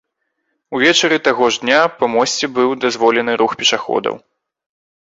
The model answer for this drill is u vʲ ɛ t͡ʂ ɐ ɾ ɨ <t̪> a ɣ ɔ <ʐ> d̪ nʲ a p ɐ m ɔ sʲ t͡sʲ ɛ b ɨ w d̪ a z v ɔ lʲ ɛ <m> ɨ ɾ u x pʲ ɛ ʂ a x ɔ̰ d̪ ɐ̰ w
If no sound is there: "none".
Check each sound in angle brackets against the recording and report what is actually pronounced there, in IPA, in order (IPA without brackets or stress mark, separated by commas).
t̪, ʐ, n